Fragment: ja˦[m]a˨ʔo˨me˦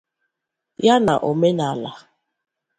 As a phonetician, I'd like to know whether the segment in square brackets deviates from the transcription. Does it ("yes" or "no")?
yes